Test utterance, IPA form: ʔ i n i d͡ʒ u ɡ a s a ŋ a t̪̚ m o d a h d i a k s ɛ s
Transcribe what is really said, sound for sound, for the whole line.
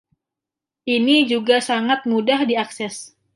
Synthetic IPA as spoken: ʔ i n i d͡ʒ u ɡ a s a ŋ a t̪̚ m u d a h d i a k s ɛ s